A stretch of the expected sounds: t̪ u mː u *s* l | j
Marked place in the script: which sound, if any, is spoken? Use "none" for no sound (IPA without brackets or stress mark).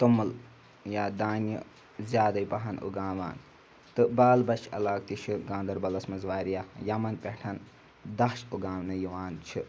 none